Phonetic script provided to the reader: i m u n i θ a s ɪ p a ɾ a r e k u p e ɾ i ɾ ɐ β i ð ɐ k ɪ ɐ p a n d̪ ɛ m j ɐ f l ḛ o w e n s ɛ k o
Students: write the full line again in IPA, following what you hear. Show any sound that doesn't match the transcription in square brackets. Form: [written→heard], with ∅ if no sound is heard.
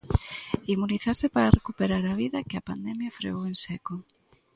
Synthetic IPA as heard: i m u n i θ a s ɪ p a ɾ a r e k u p e ɾ [i→a] ɾ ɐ β i ð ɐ k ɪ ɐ p a n d̪ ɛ m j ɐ f [l→ɾ] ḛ o w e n s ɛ k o